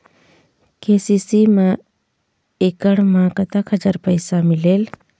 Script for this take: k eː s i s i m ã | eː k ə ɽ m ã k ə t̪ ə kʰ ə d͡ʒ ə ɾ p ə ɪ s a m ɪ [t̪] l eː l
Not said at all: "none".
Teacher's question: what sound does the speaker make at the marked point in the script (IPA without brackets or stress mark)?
none